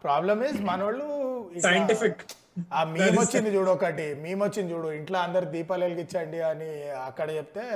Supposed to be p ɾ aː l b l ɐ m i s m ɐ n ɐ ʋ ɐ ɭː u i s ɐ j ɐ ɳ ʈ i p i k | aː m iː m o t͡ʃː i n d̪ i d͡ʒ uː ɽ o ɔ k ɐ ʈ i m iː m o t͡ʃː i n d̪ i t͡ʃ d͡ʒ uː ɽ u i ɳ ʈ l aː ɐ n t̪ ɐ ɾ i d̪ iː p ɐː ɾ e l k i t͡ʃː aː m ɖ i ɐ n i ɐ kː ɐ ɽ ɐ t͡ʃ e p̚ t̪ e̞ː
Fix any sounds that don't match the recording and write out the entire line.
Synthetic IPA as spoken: p ɾ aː b l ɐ m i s m ɐ n ɐ ʋ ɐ ɭː u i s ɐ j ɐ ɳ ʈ i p i k | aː m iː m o t͡ʃː i n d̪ i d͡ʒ uː ɽ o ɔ k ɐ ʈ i m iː m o t͡ʃː i n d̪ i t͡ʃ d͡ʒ uː ɽ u i ɳ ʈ l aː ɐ n d̪ ɐ ɾ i d̪ iː p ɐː l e l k i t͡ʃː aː ɳ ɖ i ɐ n i ɐ kː ɐ ɽ ɐ t͡ʃ e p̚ t̪ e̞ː